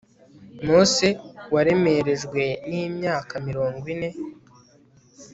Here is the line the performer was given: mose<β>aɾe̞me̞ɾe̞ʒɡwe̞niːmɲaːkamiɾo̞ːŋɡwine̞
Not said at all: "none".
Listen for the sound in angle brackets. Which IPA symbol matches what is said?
w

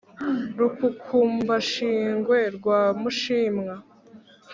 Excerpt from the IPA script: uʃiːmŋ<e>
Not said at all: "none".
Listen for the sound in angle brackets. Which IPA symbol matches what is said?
a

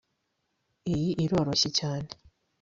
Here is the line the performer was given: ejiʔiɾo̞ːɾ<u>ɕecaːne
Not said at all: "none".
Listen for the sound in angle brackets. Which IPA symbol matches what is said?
o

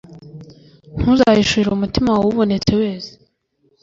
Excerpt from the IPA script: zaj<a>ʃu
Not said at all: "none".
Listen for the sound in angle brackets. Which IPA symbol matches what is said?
i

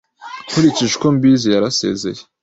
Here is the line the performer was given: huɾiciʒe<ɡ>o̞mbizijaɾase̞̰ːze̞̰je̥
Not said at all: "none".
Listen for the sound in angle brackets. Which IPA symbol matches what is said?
k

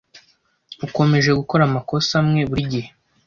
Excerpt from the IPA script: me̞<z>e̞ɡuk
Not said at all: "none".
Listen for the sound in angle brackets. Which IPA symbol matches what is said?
ʒ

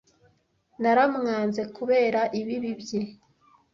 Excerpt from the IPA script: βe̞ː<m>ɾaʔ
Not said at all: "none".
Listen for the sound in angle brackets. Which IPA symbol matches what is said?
none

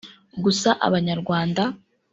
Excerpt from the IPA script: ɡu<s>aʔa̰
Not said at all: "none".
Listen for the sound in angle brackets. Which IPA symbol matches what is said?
s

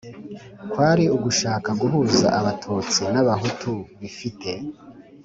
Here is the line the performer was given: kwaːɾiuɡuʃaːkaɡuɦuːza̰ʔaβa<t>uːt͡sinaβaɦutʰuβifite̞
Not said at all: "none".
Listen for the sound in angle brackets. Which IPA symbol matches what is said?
tʰ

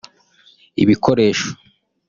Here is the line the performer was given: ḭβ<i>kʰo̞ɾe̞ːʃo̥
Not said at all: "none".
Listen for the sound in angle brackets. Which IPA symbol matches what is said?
i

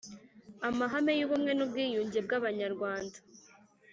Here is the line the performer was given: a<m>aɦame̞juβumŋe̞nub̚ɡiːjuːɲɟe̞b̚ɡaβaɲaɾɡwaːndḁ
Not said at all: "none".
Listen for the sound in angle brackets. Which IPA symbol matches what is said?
m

